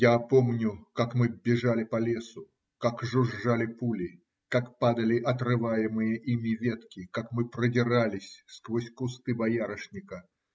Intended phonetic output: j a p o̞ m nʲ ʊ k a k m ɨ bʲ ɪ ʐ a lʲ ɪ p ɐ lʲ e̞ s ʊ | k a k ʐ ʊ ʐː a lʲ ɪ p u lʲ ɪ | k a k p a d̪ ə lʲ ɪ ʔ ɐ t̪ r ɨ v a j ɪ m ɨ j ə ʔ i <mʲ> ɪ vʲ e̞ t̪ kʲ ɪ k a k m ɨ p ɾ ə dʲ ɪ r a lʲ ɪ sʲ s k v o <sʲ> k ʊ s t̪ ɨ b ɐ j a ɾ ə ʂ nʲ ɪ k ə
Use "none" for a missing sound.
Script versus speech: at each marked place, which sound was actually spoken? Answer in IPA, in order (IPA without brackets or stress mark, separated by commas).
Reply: mʲ, sʲ